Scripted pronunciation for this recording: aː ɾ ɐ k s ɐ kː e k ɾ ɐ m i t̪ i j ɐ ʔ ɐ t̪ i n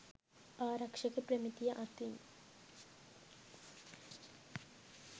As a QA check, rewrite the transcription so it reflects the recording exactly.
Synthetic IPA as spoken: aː ɾ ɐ k ʂ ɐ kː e p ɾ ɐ m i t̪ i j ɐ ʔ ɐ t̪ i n